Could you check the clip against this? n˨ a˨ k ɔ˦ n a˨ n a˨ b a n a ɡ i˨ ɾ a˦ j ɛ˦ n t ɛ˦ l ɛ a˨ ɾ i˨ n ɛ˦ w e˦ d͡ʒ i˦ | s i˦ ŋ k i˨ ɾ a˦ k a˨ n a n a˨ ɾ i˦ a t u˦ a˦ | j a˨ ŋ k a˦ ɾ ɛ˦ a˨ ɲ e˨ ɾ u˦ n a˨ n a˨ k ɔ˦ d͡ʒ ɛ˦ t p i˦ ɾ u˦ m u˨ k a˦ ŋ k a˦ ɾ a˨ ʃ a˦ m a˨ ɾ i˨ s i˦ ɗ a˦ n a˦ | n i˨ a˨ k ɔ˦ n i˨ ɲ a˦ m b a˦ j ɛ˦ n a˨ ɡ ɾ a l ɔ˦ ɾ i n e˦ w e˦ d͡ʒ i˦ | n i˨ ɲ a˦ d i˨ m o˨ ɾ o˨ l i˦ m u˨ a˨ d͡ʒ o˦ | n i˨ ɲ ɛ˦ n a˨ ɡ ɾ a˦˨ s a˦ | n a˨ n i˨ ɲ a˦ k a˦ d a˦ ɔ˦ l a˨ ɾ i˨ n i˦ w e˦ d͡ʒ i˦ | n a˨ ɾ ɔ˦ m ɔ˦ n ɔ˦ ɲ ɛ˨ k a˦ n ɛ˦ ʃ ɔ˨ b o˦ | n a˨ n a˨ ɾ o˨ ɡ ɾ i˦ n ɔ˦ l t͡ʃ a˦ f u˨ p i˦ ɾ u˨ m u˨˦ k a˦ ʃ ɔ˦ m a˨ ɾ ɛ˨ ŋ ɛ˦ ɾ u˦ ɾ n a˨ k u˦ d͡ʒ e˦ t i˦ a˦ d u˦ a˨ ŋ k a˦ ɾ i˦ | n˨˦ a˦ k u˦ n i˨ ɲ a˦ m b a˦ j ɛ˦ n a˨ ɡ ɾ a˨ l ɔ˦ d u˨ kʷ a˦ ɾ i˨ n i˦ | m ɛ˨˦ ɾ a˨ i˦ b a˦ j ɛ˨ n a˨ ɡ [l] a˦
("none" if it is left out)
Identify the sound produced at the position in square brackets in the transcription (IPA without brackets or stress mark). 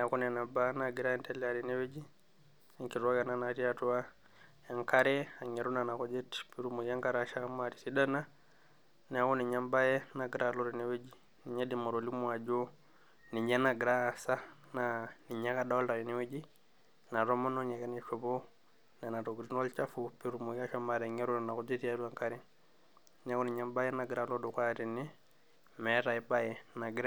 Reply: ɾ